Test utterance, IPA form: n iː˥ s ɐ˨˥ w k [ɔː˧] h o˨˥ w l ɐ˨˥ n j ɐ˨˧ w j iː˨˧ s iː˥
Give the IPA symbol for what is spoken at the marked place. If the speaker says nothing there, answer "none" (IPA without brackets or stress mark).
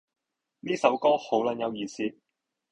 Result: ɔː˥